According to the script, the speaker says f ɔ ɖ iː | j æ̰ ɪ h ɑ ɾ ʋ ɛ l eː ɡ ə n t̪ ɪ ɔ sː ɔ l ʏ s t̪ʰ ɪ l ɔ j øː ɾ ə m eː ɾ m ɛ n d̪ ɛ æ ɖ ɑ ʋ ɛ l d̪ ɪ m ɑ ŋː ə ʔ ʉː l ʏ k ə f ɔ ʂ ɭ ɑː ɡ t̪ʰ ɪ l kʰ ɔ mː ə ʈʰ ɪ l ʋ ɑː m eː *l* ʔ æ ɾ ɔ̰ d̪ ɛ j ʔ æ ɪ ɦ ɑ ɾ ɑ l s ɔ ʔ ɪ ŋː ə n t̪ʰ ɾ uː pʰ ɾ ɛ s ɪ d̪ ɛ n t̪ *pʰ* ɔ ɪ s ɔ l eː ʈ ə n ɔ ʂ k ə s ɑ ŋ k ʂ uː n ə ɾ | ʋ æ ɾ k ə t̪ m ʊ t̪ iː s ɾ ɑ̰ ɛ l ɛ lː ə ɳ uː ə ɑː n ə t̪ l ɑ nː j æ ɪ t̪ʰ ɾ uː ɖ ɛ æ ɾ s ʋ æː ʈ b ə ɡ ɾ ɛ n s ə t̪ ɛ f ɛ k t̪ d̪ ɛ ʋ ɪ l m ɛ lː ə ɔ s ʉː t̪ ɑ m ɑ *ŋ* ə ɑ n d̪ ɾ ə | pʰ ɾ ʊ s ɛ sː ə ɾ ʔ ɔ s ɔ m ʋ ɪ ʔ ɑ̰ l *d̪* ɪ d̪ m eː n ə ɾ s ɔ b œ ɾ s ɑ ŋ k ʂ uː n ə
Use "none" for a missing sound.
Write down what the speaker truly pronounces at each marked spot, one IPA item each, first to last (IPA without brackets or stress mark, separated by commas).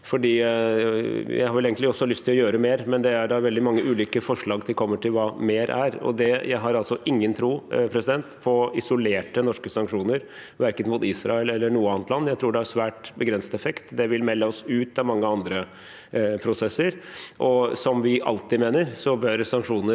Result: ɾ, pʰ, ŋː, t̪